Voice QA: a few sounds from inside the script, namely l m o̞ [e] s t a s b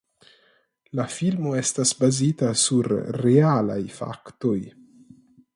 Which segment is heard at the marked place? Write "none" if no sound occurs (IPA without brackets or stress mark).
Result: e